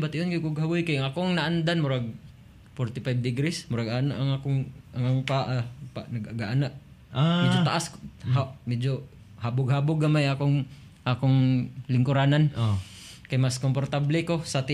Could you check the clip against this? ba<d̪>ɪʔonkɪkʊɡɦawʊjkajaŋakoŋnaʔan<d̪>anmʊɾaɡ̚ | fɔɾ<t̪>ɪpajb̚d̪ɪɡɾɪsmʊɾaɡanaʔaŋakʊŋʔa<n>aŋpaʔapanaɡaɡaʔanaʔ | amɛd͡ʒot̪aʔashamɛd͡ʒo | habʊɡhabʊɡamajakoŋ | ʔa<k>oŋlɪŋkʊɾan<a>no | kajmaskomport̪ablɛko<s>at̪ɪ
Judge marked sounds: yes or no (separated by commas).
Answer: no, yes, yes, no, yes, yes, yes